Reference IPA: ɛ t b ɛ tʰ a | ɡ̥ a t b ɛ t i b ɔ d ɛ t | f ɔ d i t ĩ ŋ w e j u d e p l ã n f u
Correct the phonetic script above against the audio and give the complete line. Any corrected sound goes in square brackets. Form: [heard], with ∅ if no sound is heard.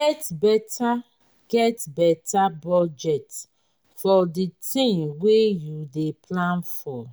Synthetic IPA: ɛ t b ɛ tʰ a | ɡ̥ [ɛ] t b ɛ t [a] b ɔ [d͡ʒ] ɛ t | f ɔ d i t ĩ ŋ w e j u d e p l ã n f [ɔ]